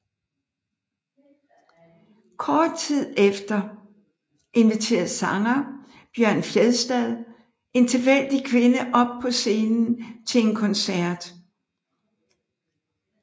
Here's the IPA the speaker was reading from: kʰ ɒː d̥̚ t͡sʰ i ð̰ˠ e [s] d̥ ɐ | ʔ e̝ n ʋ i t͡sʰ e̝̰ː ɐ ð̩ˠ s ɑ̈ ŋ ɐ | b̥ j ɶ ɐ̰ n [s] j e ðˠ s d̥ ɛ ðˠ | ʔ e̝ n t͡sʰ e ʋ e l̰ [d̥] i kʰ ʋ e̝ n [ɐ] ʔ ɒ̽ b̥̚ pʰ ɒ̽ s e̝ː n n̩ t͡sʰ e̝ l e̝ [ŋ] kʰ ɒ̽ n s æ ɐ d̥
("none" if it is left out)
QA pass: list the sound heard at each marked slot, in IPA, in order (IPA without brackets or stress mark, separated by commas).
f, f, d̥, ə, n